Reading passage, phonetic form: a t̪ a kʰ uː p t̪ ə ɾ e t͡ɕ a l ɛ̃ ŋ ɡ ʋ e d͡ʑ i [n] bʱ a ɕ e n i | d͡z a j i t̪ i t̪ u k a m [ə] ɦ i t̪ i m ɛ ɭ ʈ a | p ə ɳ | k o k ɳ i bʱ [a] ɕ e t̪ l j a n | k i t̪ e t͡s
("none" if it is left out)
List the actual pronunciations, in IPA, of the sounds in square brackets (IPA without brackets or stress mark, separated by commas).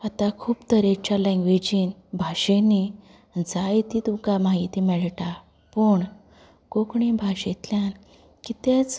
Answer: n, a, a